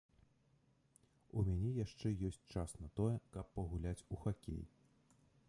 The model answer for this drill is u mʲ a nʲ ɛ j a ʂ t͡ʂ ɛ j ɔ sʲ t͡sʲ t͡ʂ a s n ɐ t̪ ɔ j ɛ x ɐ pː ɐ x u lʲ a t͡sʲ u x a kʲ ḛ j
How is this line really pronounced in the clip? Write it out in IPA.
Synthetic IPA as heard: u mʲ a nʲ ɛ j a ʂ t͡ʂ ɛ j ɔ sʲ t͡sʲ t͡ʂ a s n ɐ t̪ ɔ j ɛ k ɐ pː ɐ ɣ u lʲ a t͡sʲ u x a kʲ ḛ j